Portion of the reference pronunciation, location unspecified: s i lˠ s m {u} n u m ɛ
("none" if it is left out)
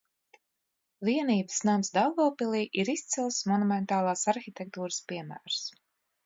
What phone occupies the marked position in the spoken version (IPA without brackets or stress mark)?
ɔ